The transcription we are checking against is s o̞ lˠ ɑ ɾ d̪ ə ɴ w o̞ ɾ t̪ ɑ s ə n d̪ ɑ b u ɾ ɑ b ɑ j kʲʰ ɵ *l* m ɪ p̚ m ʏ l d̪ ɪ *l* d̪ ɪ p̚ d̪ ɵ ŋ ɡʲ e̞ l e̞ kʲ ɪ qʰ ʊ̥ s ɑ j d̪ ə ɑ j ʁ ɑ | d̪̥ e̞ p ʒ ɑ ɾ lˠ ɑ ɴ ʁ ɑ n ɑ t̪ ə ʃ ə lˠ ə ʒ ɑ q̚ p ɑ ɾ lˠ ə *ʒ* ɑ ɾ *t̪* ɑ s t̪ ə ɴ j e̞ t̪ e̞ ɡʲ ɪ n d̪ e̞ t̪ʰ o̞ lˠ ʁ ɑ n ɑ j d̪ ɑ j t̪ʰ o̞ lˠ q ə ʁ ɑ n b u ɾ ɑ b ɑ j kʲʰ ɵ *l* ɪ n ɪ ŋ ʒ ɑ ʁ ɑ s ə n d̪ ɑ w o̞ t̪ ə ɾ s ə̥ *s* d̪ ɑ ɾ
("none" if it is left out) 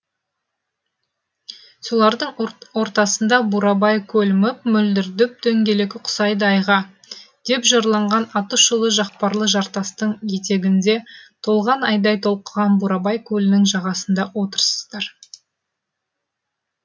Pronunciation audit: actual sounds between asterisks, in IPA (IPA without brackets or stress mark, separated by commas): l, ɾ, ʒ, t̪, l, z